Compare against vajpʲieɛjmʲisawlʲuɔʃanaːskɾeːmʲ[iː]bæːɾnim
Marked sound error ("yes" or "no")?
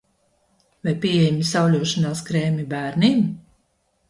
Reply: yes